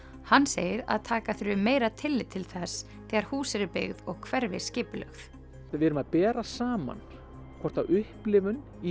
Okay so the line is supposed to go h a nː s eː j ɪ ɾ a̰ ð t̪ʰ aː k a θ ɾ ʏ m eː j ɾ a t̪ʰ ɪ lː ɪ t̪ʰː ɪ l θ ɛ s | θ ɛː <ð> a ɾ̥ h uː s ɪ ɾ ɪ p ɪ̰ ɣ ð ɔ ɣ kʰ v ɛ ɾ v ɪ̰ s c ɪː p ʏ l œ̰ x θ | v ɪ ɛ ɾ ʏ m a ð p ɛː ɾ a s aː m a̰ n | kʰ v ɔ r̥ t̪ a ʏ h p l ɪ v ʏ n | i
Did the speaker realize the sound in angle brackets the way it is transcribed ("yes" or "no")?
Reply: no